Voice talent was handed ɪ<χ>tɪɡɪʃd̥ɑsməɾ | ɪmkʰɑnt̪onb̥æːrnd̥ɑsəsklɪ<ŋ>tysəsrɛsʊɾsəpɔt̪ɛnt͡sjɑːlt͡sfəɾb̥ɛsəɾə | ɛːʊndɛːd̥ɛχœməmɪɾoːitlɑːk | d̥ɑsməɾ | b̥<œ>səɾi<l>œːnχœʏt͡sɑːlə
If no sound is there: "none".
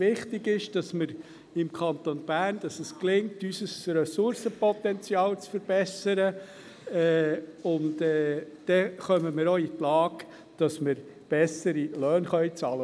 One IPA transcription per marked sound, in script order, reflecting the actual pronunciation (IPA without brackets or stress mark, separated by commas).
χ, ŋ, ɛ, l